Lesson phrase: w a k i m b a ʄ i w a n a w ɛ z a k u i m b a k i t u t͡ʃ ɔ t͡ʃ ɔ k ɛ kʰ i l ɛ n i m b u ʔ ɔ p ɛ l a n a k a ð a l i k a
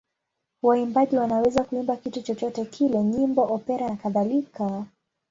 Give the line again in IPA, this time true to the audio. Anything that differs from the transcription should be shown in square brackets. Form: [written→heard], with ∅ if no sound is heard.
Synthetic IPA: w a [k→∅] i m b a ʄ i w a n a w ɛ z a k u i m b a k i t u t͡ʃ ɔ t͡ʃ ɔ [k→t] ɛ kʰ i l ɛ [n→ɲ] i m b [u→ɔ] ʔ ɔ p ɛ [l→ɾ] a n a k a ð a l i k a